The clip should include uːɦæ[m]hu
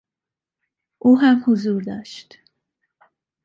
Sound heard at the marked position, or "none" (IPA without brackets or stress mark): m